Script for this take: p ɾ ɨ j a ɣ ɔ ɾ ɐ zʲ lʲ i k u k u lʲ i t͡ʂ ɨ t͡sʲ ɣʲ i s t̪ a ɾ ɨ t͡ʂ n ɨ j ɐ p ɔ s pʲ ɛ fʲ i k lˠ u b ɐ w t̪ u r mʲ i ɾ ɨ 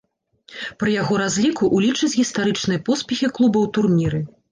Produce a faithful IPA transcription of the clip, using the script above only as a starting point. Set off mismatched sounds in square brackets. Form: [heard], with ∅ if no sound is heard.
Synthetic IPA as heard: p ɾ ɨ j a ɣ ɔ ɾ [a] zʲ lʲ i k u [ʔ] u lʲ i t͡ʂ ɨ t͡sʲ ɣʲ i s t̪ a ɾ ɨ t͡ʂ n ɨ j ɐ p ɔ s pʲ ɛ [xʲ] i k lˠ u b ɐ w t̪ u r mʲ i ɾ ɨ